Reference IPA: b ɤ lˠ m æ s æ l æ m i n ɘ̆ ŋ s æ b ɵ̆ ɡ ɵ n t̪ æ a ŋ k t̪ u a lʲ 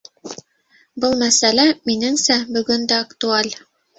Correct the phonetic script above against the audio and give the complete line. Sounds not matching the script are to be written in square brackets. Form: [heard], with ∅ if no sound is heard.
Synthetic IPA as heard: b ɤ lˠ m æ s æ l æ m i n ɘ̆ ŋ s æ b ɵ̆ ɡ ɵ n [d̪] æ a [∅] k t̪ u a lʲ